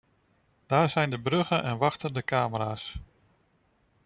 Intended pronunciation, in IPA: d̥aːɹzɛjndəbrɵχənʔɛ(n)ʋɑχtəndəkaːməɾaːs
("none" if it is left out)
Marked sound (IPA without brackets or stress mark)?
n